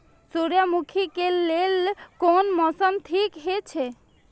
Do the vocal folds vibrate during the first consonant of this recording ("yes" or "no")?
no